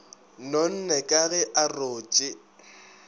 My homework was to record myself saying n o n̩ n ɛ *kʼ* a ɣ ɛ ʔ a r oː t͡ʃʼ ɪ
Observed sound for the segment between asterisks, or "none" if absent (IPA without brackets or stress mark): kʼ